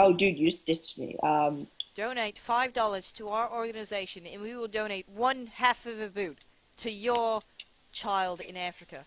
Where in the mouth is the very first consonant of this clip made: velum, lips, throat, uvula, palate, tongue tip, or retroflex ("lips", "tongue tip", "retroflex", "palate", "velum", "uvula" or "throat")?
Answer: tongue tip